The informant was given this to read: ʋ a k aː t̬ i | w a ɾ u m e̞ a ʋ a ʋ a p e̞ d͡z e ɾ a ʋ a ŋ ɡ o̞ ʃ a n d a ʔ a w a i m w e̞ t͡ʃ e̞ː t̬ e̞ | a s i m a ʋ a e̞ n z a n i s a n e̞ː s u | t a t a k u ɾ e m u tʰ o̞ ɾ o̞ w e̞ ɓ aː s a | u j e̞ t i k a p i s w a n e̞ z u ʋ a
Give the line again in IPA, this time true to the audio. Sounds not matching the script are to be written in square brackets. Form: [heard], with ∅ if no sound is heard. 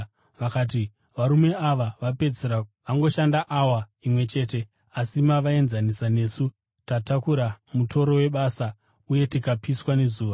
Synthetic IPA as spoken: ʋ a k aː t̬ i | [ʋ] a ɾ u m e̞ a ʋ a ʋ a p e̞ d͡z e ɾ a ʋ a ŋ ɡ o̞ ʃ a n d a ʔ a w a i m w e̞ t͡ʃ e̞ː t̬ e̞ | a s i m a ʋ a e̞ n z a n i s a n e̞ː s u | t a t a k u ɾ [a] m u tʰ o̞ ɾ o̞ w e̞ ɓ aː s a | u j e̞ t i k a p i s w a n e̞ z [uː] ʋ a